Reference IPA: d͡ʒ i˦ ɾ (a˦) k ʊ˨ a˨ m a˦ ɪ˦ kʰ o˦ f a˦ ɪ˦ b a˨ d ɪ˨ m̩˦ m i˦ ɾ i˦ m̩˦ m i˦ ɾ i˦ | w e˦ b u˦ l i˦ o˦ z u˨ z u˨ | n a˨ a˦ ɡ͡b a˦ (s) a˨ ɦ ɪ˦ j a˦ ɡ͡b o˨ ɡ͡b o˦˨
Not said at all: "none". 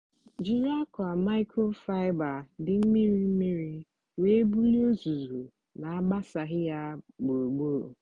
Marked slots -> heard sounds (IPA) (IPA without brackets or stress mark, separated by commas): a˦, s